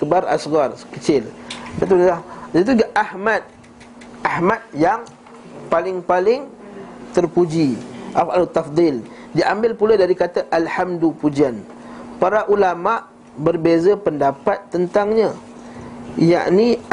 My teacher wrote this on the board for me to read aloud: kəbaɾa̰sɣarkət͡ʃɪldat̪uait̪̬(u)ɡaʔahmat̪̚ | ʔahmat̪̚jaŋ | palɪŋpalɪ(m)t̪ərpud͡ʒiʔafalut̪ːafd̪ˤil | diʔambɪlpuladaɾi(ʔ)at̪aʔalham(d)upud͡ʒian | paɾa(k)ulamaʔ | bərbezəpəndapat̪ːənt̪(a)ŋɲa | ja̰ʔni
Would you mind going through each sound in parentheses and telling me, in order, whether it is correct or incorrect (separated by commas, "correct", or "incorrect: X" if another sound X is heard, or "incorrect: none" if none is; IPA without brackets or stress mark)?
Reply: correct, incorrect: ŋ, incorrect: k, correct, incorrect: ʔ, correct